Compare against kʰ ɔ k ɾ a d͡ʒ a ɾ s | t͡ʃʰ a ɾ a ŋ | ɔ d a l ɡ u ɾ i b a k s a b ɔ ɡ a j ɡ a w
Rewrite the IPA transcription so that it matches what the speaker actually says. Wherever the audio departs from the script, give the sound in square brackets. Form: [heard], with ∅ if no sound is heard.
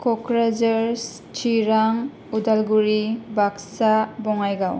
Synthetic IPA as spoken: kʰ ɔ k ɾ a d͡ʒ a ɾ s | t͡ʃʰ [i] ɾ a ŋ | [u] d a l ɡ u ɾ i b a k s a b ɔ [ŋ] a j ɡ a w